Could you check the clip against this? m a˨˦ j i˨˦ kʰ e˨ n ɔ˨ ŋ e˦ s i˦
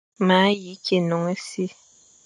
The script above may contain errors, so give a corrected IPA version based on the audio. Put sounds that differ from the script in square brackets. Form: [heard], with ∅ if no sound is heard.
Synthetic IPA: m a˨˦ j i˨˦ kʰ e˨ n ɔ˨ ŋ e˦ s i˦